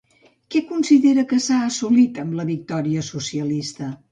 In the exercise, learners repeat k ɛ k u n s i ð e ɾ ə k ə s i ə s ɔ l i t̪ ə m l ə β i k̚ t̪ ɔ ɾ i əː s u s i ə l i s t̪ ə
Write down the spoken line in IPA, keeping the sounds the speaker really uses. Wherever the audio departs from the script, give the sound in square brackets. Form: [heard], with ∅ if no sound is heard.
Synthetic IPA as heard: k ɛ k u n s i ð e ɾ ə k ə s [a] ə s [u] l i t̪ ə m l ə β i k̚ t̪ ɔ ɾ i [ə] s u s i ə l i s t̪ ə